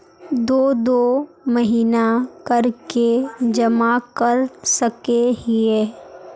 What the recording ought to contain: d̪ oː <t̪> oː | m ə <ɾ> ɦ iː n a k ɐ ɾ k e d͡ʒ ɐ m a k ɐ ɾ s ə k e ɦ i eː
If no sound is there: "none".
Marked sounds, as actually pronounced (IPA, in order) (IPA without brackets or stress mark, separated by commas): d̪, none